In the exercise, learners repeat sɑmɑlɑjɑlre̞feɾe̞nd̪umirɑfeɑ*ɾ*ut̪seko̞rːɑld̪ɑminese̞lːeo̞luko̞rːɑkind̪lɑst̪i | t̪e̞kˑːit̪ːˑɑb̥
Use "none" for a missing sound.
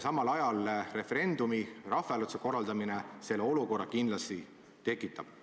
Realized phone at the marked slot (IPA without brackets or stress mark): l